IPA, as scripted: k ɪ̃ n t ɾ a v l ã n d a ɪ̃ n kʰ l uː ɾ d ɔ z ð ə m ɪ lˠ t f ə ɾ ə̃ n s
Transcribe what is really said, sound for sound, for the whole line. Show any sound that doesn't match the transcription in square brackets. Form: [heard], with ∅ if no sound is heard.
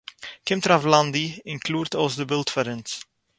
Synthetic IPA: k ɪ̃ [m] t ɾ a v l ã n d [i] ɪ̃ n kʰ l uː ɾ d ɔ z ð ə [b] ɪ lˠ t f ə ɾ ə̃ n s